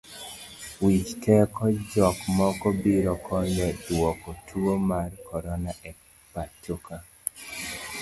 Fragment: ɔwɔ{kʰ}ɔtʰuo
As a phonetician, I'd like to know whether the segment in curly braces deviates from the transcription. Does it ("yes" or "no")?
yes